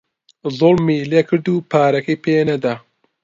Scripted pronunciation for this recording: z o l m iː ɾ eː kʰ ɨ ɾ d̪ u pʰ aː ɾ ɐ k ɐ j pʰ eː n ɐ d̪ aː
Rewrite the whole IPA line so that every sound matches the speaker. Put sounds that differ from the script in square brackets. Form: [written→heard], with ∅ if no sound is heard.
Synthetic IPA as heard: z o l m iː [ɾ→l] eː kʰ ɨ ɾ d̪ u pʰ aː ɾ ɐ k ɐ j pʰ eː n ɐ d̪ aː